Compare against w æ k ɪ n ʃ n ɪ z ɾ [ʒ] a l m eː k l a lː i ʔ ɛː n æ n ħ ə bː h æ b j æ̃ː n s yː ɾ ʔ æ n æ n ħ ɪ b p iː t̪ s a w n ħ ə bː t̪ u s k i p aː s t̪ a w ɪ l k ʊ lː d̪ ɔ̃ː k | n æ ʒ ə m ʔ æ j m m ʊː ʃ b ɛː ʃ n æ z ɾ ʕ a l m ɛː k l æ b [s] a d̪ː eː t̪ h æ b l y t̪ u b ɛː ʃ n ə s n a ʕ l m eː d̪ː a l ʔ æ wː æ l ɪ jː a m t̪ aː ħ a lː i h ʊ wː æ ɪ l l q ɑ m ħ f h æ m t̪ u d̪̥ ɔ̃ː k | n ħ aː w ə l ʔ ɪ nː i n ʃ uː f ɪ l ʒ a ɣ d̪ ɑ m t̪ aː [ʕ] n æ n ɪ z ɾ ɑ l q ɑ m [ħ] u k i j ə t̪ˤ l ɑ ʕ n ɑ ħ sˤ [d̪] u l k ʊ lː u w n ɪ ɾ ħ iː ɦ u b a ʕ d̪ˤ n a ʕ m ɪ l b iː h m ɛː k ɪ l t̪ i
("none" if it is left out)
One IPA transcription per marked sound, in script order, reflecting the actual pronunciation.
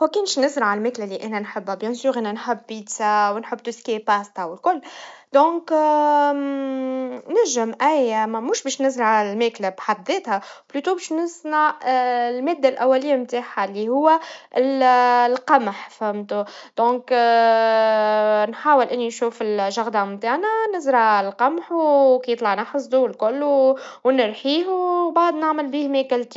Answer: ʕ, ħ, ʕ, ħ, d̪

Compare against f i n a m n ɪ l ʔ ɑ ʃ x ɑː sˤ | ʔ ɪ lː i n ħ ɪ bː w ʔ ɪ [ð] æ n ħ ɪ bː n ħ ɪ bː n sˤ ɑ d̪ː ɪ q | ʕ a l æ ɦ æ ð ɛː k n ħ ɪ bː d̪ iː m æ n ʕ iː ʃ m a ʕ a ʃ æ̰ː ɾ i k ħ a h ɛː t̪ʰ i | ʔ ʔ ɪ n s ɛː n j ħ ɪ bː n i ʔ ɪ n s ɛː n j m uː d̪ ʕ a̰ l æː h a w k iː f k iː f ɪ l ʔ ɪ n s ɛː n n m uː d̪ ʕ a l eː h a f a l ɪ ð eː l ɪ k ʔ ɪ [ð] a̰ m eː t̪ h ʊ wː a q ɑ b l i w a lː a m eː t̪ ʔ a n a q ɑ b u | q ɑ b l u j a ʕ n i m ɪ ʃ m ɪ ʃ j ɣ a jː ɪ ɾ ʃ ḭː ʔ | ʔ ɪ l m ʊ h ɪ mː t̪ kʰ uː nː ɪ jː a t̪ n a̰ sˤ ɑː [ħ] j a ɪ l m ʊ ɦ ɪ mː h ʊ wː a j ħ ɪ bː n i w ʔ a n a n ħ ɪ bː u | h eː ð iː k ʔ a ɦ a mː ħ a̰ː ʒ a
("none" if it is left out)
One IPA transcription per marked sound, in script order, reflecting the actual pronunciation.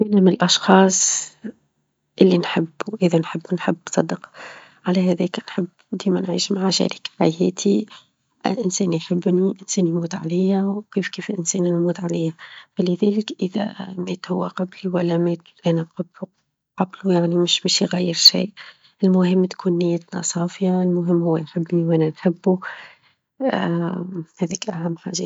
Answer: ð, ð, f

